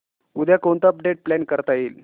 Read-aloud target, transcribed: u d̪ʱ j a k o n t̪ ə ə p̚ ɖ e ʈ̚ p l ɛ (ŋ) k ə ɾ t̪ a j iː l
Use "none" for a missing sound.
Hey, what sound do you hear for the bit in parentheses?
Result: n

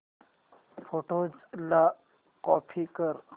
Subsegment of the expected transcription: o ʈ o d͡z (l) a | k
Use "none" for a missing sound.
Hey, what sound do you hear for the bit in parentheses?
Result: l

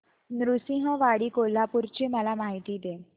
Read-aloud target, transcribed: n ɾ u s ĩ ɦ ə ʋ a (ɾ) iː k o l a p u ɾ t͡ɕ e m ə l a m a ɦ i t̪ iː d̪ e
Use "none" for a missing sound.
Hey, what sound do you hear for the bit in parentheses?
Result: ɽ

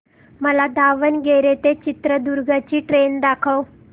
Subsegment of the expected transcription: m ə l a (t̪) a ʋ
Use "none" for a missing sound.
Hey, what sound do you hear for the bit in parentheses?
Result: d̪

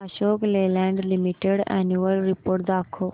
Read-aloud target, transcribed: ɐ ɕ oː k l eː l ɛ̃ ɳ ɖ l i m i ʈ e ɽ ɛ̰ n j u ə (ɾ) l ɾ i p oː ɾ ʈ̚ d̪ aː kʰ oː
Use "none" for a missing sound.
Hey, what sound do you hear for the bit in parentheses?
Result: none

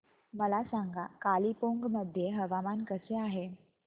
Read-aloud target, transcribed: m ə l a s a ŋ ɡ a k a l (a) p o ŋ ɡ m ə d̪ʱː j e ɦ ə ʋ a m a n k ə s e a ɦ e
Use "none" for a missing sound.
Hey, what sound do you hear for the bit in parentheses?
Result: i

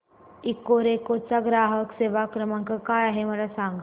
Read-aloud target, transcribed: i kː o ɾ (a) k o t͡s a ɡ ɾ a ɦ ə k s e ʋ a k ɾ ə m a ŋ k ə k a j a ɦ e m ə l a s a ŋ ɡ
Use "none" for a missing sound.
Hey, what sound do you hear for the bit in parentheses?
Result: e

